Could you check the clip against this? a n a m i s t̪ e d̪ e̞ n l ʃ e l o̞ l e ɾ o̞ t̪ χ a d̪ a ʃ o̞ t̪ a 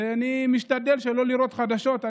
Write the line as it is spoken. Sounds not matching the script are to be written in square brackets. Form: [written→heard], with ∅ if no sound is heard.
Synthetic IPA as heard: a n [a→i] m i [s→ʃ] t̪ [e→a] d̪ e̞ [n→∅] l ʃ e l o̞ l [e→i] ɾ o̞ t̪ χ a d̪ a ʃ o̞ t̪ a

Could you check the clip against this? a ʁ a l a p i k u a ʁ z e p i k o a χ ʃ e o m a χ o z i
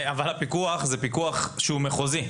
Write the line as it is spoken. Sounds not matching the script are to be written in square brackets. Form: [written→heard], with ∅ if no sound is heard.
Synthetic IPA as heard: a [ʁ→v] a l a p i k u a [ʁ→χ] z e p i k [o→u] a χ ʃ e [o→u] m [a→e] χ o z i

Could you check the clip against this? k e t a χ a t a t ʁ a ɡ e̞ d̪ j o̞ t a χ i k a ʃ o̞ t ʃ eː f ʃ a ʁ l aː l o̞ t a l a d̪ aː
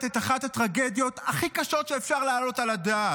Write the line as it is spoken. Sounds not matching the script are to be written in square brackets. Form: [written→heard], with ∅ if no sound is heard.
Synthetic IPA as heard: [k→t] e t a χ a t a t ʁ a ɡ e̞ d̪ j o̞ t a χ i k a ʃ o̞ t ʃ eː f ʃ a ʁ l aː l o̞ t a l a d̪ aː

